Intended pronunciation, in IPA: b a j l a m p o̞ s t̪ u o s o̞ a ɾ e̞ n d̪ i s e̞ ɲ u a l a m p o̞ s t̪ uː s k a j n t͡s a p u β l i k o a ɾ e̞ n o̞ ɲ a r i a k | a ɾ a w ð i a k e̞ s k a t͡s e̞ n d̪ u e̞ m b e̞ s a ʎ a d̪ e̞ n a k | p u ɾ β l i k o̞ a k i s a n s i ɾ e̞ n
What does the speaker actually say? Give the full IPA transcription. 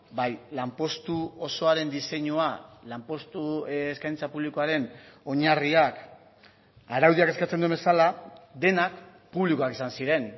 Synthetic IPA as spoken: b a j l a m p o̞ s t̪ u o s o̞ a ɾ e̞ n d̪ i s e̞ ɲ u a l a m p o̞ s t̪ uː s k a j n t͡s a p u β l i k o a ɾ e̞ n o̞ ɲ a r i a k | a ɾ a w ð i a k e̞ s k a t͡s e̞ n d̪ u e̞ m b e̞ s a l a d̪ e̞ n a k | p u β l i k o̞ a k i s a n s i ɾ e̞ n